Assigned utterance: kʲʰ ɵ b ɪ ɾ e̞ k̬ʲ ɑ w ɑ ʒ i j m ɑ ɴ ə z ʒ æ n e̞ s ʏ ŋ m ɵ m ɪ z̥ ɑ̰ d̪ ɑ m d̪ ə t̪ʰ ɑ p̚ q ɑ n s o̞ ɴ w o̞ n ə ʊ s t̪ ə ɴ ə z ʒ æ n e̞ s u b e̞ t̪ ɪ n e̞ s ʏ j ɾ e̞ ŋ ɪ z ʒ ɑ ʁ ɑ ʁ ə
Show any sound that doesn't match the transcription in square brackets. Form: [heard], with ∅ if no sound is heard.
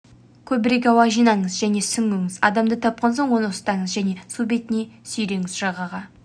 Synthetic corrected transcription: kʲʰ ɵ b ɪ ɾ e̞ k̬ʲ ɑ w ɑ ʒ i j [n] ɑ ɴ ə z ʒ æ n e̞ s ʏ ŋ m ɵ [ŋ] ɪ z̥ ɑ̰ d̪ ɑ m d̪ ə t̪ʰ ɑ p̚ q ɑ n s o̞ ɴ w o̞ n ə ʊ s t̪ [ɑ] ɴ ə z ʒ æ n e̞ s u b e̞ t̪ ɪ n e̞ s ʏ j ɾ e̞ ŋ ɪ z ʒ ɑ ʁ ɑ ʁ [ɑ]